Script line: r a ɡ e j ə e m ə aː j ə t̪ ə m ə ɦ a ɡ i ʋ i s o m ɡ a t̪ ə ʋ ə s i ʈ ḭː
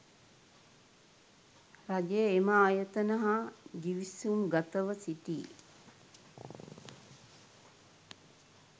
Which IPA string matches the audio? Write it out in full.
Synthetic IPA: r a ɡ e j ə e m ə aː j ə t̪ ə n ə ɦ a ɡ i ʋ i s u m ɡ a t̪ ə ʋ ə s i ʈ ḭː